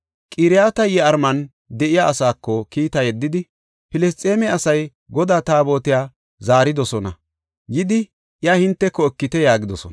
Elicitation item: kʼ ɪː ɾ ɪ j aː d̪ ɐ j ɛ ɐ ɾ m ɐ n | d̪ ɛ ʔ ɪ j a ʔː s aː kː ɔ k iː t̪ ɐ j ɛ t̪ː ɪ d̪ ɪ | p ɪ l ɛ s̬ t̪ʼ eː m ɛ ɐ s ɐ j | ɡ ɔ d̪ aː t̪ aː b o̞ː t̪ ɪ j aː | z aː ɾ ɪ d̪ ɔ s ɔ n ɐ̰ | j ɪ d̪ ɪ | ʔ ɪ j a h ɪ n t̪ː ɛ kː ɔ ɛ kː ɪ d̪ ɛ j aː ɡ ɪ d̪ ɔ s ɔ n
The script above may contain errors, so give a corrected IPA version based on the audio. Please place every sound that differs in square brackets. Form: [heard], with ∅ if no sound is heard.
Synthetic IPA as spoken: kʼ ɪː ɾ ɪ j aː [t̪] ɐ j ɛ ɐ ɾ m ɐ n | d̪ ɛ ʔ ɪ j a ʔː s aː kː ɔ k iː t̪ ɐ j ɛ [d̪ː] ɪ d̪ ɪ | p ɪ l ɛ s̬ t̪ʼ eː m ɛ ɐ s ɐ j | ɡ ɔ d̪ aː t̪ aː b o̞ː t̪ ɪ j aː | z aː ɾ ɪ d̪ ɔ s ɔ n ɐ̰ | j ɪ d̪ ɪ | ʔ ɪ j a h ɪ n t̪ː ɛ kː ɔ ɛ kː ɪ [t̪] ɛ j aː ɡ ɪ d̪ ɔ s ɔ n

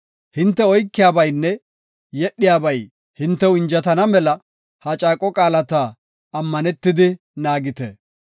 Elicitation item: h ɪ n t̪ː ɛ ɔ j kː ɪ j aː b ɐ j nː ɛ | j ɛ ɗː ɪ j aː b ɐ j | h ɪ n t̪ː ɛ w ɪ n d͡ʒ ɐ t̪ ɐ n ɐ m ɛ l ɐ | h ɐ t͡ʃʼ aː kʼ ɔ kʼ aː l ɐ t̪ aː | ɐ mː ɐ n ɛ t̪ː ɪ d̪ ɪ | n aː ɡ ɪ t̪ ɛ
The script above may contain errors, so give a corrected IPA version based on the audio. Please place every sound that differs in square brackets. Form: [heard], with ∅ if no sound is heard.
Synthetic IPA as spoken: h ɪ n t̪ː ɛ ɔ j kː ɪ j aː b ɐ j nː ɛ | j ɛ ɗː ɪ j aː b ɐ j | h ɪ n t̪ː ɛ w ɪ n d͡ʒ ɐ t̪ ɐ n ɐ m ɛ l ɐ | h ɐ t͡ʃʼ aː kʼ ɔ kʼ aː l ɐ t̪ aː | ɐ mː ɐ n ɛ t̪ː ɪ d̪ ɪ | n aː ɡ ɪ t̪ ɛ

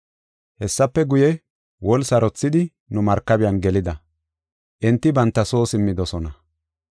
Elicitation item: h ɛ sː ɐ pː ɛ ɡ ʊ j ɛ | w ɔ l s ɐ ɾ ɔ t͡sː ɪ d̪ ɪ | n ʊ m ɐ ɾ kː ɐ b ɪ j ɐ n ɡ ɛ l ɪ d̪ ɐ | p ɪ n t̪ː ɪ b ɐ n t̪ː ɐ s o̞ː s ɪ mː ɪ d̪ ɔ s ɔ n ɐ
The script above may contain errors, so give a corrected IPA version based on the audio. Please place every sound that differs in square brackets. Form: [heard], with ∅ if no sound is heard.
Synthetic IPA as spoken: h ɛ sː ɐ pː ɛ ɡ ʊ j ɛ | w ɔ l s ɐ ɾ ɔ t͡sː ɪ d̪ ɪ | n ʊ m ɐ ɾ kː ɐ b ɪ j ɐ n ɡ ɛ l ɪ d̪ ɐ | [ʔ] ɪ n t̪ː ɪ b ɐ n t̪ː ɐ s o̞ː s ɪ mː ɪ d̪ ɔ s ɔ n ɐ

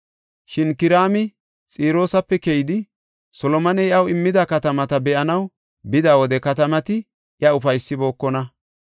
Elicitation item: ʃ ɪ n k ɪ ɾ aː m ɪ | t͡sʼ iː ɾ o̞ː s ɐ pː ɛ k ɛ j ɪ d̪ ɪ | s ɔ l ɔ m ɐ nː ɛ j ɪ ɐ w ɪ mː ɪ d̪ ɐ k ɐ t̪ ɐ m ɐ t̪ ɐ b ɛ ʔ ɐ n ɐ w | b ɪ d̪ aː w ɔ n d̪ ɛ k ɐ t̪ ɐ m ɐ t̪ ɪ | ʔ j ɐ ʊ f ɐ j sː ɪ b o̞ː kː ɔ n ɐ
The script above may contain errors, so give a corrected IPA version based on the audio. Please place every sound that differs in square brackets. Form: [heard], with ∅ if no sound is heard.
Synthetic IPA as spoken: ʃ ɪ n k ɪ ɾ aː m ɪ | t͡sʼ iː ɾ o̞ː s ɐ pː ɛ k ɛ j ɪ d̪ ɪ | s ɔ l ɔ m ɐ [n] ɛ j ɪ ɐ w ɪ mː ɪ d̪ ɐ k ɐ t̪ ɐ m ɐ t̪ ɐ b ɛ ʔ ɐ n ɐ w | b ɪ d̪ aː w ɔ [∅] d̪ ɛ k ɐ t̪ ɐ m ɐ t̪ ɪ | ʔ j ɐ ʊ f ɐ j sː ɪ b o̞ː kː ɔ n ɐ

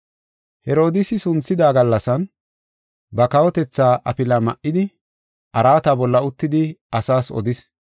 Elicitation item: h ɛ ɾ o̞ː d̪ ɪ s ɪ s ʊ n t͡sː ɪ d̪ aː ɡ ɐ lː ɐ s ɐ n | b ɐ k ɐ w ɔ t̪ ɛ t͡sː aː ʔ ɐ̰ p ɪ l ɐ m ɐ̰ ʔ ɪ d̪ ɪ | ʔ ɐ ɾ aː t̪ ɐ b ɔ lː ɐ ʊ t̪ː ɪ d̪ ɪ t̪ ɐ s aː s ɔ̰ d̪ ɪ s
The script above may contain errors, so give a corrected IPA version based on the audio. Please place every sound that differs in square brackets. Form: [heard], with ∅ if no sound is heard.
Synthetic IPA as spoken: h ɛ ɾ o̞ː d̪ ɪ s ɪ s ʊ n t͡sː ɪ d̪ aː ɡ ɐ lː ɐ s ɐ n | b ɐ k ɐ w ɔ t̪ ɛ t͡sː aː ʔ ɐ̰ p ɪ l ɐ m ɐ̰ ʔ ɪ d̪ ɪ | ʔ ɐ ɾ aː t̪ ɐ b ɔ lː ɐ ʊ t̪ː ɪ d̪ ɪ [∅] ɐ s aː s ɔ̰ d̪ ɪ s

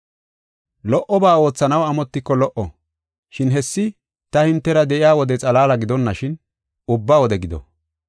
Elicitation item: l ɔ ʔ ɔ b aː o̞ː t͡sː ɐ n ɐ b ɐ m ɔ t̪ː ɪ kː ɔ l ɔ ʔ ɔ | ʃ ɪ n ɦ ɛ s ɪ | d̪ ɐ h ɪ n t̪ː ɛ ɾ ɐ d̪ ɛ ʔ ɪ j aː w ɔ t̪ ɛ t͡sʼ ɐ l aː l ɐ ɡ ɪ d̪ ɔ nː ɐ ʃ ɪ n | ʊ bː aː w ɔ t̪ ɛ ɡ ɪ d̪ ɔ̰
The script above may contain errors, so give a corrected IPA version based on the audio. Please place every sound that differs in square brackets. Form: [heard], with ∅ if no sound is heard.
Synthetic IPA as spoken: l ɔ ʔ ɔ b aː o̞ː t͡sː ɐ n ɐ [w] ɐ m ɔ t̪ː ɪ kː ɔ l ɔ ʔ ɔ | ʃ ɪ n ɦ ɛ [sː] ɪ | [t̪] ɐ h ɪ n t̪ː ɛ ɾ ɐ d̪ ɛ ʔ ɪ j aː w ɔ [d̪] ɛ t͡sʼ ɐ l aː l ɐ ɡ ɪ d̪ ɔ nː ɐ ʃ ɪ n | ʊ bː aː w ɔ [d̪] ɛ ɡ ɪ d̪ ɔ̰

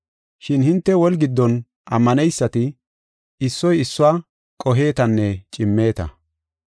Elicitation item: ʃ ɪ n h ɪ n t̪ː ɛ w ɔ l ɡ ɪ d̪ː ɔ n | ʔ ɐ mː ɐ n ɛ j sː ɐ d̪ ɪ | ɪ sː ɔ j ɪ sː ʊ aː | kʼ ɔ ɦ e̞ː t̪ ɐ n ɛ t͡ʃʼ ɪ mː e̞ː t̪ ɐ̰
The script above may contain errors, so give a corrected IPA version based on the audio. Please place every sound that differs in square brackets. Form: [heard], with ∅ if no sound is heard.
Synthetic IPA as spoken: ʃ ɪ n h ɪ n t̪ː ɛ w ɔ l ɡ ɪ d̪ː ɔ n | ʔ ɐ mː ɐ n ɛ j sː ɐ [t̪] ɪ | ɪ sː ɔ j ɪ sː ʊ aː | kʼ ɔ ɦ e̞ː t̪ ɐ [nː] ɛ t͡ʃʼ ɪ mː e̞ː t̪ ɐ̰

